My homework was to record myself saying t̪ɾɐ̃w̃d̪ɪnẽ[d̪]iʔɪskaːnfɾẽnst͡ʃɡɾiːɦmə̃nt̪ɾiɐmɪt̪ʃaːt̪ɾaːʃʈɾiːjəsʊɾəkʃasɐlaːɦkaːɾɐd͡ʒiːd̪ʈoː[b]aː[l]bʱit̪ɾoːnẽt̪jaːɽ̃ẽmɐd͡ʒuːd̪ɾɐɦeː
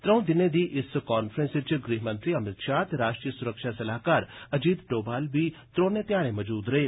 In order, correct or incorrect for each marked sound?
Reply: correct, correct, correct

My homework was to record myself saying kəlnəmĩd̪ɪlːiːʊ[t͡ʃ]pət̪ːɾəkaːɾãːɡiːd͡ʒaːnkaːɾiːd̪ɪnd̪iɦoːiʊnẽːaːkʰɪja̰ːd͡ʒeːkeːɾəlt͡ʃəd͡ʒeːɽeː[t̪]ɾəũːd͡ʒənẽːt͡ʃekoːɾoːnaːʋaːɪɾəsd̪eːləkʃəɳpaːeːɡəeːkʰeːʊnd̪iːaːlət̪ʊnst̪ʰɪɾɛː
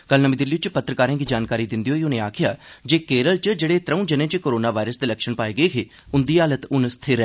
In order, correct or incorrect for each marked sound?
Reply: correct, correct

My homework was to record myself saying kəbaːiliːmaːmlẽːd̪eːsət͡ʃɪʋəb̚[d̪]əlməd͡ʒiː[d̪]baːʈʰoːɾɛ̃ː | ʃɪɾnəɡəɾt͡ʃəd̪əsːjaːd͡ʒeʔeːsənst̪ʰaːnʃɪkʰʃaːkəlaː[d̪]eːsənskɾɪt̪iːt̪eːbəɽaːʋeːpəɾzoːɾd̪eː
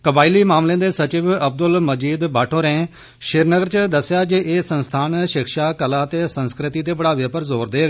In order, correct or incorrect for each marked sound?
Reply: correct, correct, incorrect

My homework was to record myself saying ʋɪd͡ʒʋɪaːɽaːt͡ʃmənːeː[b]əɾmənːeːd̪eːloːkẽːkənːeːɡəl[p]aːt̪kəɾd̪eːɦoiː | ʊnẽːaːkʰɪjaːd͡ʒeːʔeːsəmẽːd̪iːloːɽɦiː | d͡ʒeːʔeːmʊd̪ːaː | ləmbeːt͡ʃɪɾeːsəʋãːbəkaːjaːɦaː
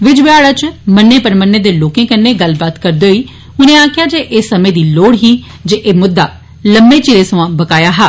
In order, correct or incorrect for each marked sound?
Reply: incorrect, incorrect

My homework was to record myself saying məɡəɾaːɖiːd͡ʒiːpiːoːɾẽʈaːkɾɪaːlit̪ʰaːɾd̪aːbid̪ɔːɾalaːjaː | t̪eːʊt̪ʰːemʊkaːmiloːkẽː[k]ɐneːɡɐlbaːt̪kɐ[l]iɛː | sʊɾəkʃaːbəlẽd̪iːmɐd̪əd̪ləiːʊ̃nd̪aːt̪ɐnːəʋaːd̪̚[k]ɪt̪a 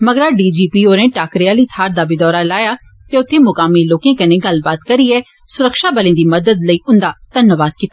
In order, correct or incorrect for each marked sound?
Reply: correct, incorrect, correct

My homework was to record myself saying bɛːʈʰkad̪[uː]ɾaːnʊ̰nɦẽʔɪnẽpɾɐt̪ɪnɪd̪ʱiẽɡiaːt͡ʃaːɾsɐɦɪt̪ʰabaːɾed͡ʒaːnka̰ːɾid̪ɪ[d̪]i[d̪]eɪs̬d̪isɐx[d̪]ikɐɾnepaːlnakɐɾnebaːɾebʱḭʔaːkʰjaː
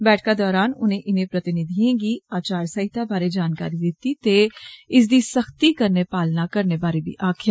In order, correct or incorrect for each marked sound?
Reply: incorrect, incorrect, incorrect, incorrect

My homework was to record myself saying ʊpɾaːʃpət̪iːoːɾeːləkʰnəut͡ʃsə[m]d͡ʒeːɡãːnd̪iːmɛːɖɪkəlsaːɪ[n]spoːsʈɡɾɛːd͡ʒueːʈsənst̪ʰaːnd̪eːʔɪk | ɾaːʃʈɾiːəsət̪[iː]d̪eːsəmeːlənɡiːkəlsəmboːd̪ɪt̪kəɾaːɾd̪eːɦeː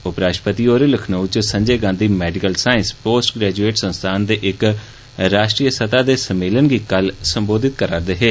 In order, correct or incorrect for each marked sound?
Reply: incorrect, correct, incorrect

